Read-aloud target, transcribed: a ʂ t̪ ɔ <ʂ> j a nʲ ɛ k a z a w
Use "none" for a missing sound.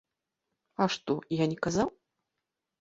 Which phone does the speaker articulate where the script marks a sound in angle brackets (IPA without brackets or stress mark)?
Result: none